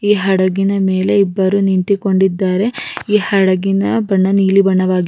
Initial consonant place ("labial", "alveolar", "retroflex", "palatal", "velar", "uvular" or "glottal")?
glottal